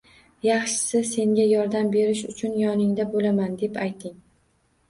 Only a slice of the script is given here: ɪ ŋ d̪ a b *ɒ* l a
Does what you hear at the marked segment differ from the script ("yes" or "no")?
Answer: yes